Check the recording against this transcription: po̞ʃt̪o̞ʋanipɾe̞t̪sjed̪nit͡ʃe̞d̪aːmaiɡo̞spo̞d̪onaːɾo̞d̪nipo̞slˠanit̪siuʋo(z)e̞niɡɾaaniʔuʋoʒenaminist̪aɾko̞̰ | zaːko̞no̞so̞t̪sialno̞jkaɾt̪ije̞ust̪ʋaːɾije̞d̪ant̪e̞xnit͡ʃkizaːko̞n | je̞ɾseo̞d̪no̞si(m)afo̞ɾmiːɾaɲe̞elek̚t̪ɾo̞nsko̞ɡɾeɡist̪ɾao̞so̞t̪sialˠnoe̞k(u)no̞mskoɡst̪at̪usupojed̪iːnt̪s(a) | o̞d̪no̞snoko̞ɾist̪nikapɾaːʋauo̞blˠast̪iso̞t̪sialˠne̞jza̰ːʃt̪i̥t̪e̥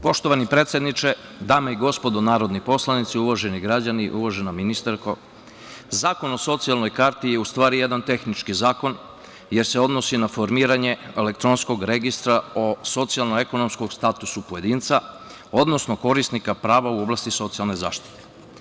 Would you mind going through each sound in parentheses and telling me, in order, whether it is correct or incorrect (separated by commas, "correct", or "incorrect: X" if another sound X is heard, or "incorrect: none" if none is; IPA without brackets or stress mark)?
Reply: incorrect: ʒ, incorrect: n, incorrect: o, correct